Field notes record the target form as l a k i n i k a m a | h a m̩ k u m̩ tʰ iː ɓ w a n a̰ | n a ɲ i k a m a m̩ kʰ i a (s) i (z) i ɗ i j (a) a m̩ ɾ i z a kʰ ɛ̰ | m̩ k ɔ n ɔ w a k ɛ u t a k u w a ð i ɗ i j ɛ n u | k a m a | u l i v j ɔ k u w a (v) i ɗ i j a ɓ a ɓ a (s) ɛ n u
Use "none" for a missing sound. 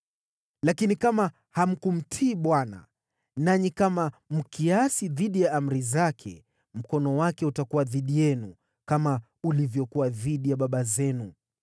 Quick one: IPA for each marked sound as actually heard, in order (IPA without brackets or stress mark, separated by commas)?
s, ð, a, ð, z